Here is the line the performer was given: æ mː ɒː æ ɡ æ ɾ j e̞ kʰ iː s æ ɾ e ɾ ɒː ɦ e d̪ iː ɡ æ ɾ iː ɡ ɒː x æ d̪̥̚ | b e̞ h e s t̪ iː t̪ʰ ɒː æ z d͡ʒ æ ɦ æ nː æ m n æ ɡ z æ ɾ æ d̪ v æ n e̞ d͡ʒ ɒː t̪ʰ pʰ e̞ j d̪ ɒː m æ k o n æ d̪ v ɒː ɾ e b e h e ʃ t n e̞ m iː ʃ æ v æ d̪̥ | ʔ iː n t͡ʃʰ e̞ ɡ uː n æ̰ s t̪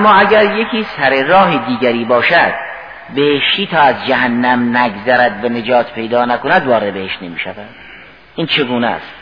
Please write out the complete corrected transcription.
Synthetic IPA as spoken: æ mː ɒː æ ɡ æ ɾ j e̞ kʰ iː s æ ɾ e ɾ ɒː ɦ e d̪ iː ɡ æ ɾ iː b ɒː ʃ æ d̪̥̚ | b e̞ h e ʃ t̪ iː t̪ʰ ɒː æ z d͡ʒ æ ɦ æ nː æ m n æ ɡ z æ ɾ æ d̪ v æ n e̞ d͡ʒ ɒː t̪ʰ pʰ e̞ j d̪ ɒː n æ k o n æ d̪ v ɒː ɾ e b e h e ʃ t n e̞ m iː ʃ æ v æ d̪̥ | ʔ iː n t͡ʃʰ e̞ ɡ uː n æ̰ s t̪